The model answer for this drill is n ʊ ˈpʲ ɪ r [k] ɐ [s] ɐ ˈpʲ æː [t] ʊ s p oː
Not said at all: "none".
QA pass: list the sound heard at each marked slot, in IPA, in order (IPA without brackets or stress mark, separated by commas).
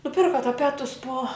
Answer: k, t, t